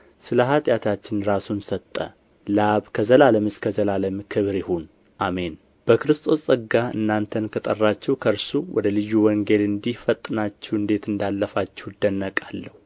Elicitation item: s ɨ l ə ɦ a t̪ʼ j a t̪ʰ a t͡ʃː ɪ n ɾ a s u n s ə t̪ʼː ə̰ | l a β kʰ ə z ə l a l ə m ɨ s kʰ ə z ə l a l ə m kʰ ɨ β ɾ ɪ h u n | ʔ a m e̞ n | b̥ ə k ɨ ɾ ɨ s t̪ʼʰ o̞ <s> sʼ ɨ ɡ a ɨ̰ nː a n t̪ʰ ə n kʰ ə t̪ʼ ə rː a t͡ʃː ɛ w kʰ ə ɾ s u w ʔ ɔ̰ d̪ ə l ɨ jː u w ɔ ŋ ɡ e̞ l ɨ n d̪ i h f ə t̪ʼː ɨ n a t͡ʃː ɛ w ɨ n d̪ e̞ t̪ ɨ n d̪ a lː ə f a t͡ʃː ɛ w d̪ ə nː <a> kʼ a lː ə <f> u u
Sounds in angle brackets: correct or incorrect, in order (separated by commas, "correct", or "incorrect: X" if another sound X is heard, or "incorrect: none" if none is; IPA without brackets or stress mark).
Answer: correct, incorrect: ə, incorrect: h